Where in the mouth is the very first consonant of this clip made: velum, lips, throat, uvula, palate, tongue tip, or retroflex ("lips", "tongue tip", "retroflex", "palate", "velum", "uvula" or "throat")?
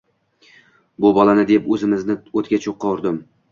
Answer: lips